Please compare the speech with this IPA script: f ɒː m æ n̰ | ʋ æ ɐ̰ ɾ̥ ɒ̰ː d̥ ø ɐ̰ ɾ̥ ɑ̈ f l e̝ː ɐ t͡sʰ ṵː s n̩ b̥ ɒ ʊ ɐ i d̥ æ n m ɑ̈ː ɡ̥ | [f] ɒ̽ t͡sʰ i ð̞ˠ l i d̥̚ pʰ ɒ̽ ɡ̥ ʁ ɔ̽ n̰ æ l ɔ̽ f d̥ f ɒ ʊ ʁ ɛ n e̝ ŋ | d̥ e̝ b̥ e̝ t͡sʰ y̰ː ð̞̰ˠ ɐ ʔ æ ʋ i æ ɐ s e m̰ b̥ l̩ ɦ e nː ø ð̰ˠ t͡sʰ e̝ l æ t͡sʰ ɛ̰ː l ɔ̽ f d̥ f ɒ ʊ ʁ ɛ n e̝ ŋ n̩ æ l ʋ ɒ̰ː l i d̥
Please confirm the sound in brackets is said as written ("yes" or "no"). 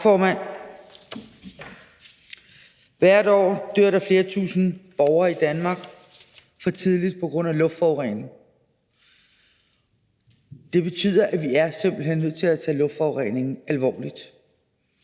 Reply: yes